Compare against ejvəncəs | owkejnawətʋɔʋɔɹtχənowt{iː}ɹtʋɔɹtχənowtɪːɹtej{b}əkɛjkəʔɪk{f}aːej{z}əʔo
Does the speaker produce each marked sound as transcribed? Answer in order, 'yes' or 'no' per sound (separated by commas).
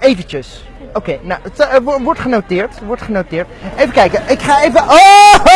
no, no, no, no